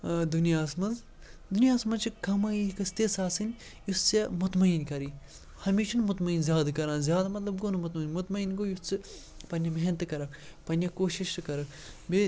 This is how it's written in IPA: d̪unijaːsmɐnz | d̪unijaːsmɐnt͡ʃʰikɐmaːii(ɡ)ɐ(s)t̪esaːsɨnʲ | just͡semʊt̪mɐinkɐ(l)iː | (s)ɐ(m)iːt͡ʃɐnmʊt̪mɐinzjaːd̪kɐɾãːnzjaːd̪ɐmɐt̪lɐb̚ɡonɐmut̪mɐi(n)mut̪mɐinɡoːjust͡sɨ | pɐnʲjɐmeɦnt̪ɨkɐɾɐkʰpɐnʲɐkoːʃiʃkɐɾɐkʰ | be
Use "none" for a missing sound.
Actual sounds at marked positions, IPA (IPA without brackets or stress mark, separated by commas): k, s, ɾ, h, m, n